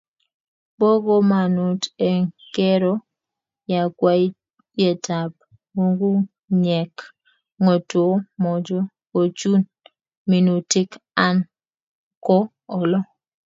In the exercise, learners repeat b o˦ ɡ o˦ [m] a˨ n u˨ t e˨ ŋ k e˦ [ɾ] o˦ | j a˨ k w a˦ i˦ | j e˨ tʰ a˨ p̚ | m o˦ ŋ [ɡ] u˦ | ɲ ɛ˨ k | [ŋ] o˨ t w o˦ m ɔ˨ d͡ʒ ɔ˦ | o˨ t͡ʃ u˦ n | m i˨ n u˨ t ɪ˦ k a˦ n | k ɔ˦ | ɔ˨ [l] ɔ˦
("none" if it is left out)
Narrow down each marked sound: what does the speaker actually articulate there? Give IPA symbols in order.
m, ɾ, ɡ, ŋ, l

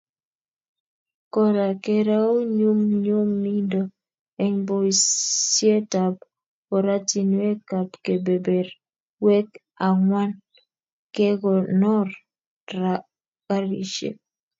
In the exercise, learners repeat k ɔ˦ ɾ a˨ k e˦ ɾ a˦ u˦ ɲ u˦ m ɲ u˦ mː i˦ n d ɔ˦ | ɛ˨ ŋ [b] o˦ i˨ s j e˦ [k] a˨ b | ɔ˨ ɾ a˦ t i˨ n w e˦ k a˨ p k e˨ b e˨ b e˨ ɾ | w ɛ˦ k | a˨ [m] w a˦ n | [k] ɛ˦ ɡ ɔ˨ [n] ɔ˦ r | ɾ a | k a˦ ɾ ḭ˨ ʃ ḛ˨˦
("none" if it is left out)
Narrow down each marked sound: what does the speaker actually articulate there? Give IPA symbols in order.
b, t, ŋ, k, n

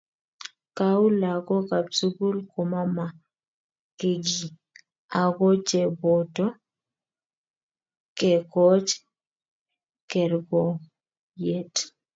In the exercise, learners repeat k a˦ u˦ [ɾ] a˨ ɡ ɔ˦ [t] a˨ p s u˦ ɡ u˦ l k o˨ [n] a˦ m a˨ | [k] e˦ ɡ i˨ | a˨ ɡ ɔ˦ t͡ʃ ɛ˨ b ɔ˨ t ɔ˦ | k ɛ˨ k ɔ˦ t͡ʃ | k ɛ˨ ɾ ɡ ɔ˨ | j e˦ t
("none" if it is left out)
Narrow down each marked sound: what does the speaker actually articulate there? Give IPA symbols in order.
l, k, m, k

